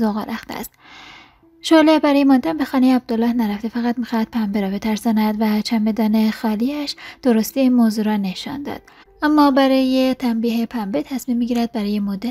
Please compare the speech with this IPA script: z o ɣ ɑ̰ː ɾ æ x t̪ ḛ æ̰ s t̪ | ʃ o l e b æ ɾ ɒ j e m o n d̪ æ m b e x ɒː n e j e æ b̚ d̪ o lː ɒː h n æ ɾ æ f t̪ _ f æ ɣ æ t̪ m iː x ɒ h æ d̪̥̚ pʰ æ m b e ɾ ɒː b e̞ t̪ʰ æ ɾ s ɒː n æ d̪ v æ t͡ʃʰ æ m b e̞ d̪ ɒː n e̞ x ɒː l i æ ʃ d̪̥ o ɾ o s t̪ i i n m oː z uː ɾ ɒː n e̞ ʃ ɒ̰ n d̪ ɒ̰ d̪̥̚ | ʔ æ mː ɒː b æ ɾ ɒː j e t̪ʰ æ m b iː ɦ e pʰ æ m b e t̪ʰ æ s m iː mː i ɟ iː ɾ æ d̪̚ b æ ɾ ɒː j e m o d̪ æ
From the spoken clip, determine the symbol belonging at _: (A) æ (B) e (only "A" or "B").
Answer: B